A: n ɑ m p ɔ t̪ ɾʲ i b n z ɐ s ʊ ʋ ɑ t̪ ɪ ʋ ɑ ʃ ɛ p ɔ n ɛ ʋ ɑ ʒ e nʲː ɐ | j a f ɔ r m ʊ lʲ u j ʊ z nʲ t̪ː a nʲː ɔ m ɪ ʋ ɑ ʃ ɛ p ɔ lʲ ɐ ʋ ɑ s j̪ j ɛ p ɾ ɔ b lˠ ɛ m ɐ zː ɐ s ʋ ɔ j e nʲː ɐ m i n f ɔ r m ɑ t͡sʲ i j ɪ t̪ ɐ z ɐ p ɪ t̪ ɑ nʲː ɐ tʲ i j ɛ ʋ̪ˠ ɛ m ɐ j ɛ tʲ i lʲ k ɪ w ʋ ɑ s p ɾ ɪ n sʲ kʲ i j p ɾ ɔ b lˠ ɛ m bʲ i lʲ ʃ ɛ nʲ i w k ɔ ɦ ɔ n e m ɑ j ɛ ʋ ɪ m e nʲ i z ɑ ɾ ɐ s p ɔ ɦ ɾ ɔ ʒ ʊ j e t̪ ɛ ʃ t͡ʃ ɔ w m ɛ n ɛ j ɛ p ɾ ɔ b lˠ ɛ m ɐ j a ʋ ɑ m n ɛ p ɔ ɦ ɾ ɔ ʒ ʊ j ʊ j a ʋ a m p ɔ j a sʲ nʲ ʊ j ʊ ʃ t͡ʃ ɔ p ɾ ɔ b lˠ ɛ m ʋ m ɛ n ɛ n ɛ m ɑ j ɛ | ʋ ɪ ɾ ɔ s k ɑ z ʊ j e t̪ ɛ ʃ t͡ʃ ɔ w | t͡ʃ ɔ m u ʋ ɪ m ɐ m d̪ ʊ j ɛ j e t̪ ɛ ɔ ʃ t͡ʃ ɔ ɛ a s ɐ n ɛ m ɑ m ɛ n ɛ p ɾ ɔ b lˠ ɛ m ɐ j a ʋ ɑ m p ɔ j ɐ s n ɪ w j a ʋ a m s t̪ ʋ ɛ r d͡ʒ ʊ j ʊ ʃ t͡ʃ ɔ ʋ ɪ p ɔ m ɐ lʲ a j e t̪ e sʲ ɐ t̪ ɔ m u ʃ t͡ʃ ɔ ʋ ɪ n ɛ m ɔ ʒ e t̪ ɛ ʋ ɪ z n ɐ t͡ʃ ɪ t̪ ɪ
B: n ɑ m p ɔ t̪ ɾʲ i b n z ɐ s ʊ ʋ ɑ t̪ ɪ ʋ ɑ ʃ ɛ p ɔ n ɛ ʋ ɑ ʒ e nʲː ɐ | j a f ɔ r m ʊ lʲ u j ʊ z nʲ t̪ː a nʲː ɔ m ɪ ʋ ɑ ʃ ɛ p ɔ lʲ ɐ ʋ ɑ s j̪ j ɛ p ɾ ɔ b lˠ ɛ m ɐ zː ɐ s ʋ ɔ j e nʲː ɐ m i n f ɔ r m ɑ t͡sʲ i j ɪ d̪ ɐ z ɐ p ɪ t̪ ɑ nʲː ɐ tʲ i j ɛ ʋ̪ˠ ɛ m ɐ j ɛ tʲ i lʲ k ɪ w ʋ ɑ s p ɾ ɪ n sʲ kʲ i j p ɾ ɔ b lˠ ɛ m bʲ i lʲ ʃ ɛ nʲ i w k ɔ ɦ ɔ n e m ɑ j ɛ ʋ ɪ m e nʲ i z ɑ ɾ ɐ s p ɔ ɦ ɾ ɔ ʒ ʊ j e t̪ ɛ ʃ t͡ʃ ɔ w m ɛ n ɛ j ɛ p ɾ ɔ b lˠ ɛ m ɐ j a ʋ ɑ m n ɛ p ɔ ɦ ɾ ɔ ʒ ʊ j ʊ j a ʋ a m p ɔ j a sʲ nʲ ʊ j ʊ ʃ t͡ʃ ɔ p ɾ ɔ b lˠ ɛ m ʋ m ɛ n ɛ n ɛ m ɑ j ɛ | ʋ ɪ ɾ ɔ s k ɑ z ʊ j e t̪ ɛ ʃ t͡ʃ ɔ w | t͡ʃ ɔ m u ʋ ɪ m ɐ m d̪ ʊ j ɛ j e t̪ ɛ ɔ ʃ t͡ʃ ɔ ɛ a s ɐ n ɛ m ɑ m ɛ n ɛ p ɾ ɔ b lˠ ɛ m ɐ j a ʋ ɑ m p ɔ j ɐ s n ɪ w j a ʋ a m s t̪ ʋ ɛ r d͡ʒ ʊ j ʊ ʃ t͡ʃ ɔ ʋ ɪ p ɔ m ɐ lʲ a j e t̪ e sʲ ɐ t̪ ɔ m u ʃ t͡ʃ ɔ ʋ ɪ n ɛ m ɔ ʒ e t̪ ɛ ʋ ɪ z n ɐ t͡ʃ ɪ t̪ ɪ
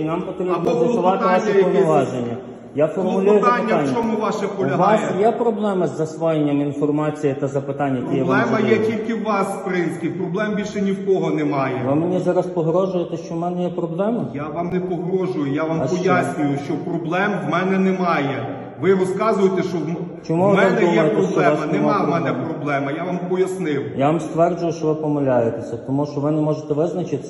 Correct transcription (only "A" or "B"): A